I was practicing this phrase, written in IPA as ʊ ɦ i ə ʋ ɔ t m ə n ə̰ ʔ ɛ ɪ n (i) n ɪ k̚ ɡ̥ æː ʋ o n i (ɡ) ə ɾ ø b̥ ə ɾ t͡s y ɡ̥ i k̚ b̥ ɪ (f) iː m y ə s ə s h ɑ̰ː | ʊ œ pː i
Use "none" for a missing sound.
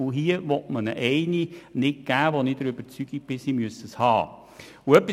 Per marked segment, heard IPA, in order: i, d, s

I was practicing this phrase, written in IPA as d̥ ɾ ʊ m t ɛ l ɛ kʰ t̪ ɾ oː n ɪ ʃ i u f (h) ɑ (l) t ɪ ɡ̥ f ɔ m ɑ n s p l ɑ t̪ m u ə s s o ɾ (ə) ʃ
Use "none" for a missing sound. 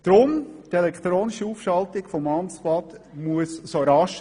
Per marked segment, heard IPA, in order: ʃ, l, ɑ

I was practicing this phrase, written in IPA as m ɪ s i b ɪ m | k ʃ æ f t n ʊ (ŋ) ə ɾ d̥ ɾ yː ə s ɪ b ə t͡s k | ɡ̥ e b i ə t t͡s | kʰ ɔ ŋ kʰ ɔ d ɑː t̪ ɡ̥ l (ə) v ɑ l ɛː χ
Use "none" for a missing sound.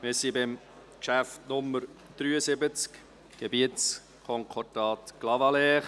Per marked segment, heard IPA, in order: m, ɑ

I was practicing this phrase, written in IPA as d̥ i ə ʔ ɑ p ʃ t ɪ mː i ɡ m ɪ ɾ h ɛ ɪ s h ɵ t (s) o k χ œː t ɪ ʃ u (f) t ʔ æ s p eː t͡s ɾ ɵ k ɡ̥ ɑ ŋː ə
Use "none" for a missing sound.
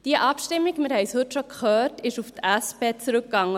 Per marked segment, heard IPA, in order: ʃ, f

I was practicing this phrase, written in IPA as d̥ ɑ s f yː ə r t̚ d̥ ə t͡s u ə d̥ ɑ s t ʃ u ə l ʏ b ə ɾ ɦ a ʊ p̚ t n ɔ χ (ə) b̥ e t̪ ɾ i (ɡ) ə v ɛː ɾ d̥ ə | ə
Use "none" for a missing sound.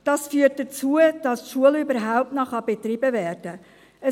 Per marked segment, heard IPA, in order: ɑ, b

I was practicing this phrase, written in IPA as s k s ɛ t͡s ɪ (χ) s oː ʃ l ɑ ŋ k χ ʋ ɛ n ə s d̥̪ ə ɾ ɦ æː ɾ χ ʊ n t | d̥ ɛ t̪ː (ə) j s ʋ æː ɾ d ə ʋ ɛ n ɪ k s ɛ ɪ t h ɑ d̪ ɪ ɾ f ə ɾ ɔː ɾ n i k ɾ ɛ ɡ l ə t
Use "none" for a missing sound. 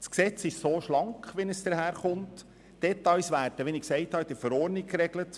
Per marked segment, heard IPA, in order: ʃ, ɑ

